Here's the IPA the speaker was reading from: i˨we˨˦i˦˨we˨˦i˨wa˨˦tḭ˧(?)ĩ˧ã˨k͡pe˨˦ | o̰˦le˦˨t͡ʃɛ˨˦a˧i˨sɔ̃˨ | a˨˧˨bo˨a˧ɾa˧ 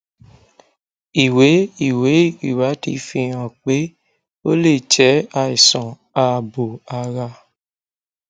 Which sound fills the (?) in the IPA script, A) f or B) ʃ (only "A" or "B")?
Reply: A